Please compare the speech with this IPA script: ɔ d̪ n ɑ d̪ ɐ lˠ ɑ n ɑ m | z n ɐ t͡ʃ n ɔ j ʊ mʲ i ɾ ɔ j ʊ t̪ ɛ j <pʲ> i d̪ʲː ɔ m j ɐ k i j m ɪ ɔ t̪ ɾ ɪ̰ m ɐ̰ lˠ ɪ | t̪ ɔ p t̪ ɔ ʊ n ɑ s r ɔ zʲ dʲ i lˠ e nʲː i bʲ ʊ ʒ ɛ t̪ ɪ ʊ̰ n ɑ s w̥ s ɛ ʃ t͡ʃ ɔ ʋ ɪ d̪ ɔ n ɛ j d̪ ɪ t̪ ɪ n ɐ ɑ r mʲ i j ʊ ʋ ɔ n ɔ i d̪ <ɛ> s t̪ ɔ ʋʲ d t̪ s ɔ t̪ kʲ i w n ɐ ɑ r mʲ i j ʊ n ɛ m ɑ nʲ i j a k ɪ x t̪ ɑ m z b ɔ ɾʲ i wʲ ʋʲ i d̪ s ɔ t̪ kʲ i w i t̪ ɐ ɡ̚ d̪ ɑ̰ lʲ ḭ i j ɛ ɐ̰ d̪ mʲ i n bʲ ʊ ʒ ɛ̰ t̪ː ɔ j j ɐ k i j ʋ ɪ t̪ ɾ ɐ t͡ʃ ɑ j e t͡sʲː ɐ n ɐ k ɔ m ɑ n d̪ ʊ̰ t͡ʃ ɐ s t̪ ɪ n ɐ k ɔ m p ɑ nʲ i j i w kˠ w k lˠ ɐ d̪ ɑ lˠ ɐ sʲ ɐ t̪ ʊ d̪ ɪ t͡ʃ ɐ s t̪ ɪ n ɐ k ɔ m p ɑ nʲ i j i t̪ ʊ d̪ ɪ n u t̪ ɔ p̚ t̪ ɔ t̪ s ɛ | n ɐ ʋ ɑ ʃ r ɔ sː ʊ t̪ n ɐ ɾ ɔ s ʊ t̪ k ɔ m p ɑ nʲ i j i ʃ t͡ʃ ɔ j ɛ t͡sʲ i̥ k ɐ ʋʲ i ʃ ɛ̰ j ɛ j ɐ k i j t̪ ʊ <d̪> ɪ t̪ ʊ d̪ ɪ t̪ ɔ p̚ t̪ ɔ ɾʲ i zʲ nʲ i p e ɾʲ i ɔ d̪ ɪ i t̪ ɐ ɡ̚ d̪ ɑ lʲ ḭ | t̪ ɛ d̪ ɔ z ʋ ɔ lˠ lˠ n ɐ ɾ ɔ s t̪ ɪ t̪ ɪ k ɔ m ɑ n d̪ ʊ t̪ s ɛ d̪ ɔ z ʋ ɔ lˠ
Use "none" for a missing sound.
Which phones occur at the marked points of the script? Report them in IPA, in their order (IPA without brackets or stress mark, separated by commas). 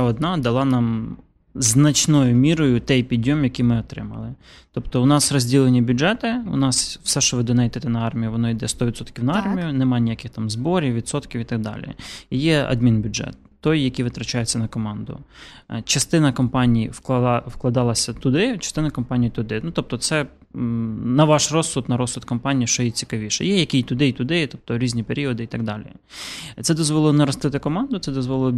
pʲ, ɛ, d̪